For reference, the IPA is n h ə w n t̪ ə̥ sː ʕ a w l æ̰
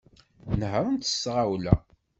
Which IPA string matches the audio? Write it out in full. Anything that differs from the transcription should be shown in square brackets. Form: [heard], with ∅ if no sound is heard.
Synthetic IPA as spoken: n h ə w n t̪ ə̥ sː [ʁ] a w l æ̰